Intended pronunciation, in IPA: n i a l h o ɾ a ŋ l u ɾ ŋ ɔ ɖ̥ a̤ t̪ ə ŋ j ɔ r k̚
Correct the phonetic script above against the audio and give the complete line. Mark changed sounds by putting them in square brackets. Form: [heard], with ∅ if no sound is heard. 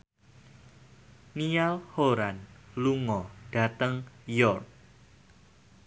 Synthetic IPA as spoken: n i a l h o ɾ a [n] l u [∅] ŋ ɔ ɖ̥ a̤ t̪ ə ŋ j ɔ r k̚